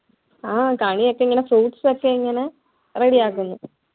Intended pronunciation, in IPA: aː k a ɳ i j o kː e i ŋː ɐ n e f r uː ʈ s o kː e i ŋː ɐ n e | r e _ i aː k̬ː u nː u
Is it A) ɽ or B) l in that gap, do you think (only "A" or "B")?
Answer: A